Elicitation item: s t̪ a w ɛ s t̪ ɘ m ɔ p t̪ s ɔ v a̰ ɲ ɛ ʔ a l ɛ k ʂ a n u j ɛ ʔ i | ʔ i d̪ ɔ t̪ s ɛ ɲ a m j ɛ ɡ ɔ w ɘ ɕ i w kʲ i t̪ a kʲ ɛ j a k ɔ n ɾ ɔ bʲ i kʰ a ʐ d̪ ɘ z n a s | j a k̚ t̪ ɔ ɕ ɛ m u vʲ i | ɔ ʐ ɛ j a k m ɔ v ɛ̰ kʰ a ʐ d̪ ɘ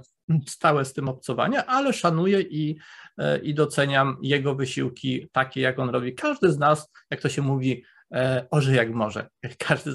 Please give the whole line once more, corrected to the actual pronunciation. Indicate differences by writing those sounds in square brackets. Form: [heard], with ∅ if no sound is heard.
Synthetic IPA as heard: s t̪ a w ɛ s t̪ ɘ m ɔ p t̪ s ɔ v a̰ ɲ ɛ ʔ a l ɛ [∅] ʂ a n u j ɛ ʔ i | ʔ i d̪ ɔ t̪ s ɛ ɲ a m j ɛ ɡ ɔ [v] ɘ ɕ i w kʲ i t̪ a kʲ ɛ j a k ɔ n ɾ ɔ bʲ i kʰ a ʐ d̪ ɘ z n a s | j a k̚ t̪ ɔ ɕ ɛ m u vʲ i | ɔ ʐ ɛ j a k m ɔ [ʐ] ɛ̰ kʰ a ʐ d̪ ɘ